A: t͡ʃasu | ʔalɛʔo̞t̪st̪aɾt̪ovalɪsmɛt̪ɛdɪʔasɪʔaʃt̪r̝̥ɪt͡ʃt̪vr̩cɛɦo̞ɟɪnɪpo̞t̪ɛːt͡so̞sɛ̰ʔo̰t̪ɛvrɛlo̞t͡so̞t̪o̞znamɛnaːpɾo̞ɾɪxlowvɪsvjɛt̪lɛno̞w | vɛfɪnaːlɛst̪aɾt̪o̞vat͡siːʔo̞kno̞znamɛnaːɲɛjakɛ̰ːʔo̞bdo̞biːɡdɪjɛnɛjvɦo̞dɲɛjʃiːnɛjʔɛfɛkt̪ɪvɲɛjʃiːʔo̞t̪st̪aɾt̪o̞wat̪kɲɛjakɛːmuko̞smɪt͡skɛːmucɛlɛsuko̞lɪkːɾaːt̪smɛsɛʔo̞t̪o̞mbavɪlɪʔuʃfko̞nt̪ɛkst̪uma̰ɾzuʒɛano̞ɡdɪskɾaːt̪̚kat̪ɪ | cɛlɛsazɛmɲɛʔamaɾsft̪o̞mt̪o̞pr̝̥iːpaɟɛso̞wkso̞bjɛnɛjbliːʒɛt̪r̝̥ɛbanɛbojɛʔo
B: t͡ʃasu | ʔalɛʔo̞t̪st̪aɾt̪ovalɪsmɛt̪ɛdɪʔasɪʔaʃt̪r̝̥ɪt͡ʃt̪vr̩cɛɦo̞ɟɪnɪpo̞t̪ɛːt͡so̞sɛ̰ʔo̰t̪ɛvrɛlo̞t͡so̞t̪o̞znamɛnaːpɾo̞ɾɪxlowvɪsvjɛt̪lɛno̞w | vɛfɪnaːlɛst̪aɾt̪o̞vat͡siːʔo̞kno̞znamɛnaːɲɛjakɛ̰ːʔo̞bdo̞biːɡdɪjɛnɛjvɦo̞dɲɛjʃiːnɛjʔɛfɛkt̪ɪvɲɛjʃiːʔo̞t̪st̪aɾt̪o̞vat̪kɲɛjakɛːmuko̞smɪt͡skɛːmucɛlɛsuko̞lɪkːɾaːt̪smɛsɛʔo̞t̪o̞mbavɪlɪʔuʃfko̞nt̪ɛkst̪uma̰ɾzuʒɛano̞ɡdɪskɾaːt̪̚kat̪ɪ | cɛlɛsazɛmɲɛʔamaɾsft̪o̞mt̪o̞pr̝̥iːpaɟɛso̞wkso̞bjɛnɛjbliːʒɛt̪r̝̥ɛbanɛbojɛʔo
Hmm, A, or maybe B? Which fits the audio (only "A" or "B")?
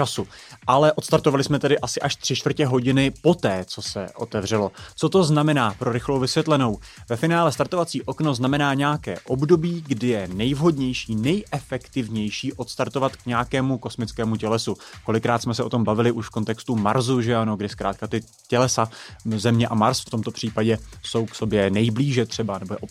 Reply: B